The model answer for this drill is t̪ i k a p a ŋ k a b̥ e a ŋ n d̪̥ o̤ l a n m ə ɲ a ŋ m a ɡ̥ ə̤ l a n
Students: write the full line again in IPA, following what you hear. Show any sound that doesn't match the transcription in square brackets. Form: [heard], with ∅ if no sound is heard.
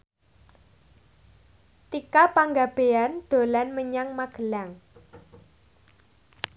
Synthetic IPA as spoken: t̪ i k a p a ŋ [ɡ] a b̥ e a [∅] n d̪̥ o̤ l a n m ə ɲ a ŋ m a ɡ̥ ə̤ l a [ŋ]